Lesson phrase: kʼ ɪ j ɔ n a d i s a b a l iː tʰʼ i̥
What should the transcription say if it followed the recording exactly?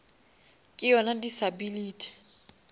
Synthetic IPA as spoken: kʼ ɪ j ɔ n a d i s a b i l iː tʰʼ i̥